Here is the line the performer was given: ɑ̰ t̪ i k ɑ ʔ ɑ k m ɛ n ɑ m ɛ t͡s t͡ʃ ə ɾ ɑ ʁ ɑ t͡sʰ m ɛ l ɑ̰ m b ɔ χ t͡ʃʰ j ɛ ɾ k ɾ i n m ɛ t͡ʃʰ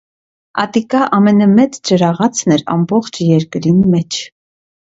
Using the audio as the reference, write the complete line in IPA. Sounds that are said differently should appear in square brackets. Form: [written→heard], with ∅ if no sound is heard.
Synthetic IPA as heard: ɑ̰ t̪ i k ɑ ʔ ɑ [k→∅] m ɛ n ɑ m ɛ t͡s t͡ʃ ə ɾ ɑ ʁ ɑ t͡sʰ [m→n] ɛ [l→ɾ] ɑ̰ m b ɔ χ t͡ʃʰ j ɛ ɾ k ɾ i n m ɛ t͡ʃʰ